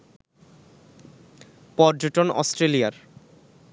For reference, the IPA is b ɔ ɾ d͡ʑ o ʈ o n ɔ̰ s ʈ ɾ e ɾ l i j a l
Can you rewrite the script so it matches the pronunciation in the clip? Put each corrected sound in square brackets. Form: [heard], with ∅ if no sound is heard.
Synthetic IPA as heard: [p] ɔ ɾ d͡ʑ o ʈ o n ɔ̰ s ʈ ɾ e [∅] l i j a [ɾ]